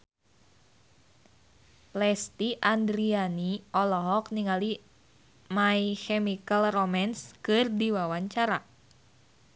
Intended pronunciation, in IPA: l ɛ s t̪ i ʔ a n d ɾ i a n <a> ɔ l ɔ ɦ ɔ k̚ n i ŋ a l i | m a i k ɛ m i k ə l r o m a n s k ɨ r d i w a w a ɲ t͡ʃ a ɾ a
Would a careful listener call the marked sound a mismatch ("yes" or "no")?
yes